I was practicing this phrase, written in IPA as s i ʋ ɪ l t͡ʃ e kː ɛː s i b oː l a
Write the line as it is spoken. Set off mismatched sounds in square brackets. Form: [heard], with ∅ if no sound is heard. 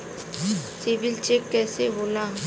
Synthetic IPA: s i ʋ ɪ l t͡ʃ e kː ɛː s [e] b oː l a